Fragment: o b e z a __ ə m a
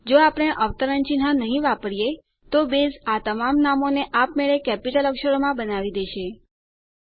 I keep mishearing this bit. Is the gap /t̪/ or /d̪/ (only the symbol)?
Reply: t̪